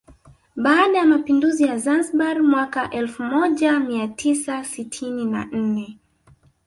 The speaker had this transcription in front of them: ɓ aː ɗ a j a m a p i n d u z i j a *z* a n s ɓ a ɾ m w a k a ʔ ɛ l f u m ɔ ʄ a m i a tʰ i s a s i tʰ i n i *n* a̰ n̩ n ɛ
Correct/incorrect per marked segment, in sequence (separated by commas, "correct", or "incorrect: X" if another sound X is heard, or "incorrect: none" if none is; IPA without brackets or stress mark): correct, correct